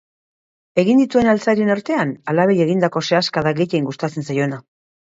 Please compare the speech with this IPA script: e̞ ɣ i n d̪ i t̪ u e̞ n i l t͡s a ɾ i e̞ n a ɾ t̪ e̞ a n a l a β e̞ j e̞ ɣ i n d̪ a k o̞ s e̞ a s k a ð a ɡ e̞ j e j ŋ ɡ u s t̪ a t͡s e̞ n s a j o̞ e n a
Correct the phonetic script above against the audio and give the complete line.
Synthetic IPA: e̞ ɣ i n d̪ i t̪ u e̞ n a l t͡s a ɾ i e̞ n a ɾ t̪ e̞ a n a l a β e̞ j e̞ ɣ i n d̪ a k o̞ s e̞ a s k a ð a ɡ e̞ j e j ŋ ɡ u s t̪ a t͡s e̞ n s a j o̞ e n a